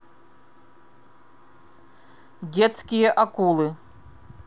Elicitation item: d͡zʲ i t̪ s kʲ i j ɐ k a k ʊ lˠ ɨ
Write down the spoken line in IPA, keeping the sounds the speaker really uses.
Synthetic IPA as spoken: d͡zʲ ɛ t̪ s kʲ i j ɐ ʔ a k u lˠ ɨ